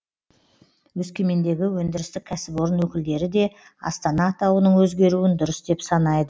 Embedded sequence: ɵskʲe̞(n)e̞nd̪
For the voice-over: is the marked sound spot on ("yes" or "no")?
no